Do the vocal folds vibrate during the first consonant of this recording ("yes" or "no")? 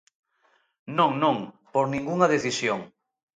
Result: yes